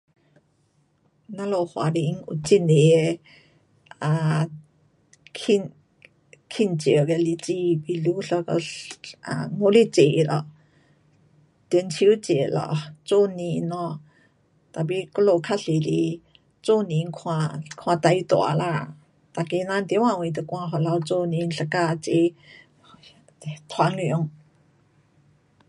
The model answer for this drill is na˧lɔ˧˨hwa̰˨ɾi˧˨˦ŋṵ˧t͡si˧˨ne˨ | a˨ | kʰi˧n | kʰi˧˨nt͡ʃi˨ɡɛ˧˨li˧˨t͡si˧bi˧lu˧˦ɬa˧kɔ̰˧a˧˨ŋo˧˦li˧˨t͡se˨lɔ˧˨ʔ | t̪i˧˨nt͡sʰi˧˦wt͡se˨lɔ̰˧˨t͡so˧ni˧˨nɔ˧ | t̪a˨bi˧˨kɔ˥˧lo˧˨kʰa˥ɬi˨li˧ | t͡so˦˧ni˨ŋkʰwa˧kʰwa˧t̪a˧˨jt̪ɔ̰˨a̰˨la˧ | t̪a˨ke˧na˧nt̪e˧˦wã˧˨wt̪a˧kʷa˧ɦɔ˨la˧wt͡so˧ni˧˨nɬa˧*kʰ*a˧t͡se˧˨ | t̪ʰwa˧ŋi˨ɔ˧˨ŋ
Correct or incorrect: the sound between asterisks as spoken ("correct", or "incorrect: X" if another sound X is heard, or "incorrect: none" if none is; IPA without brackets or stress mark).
incorrect: k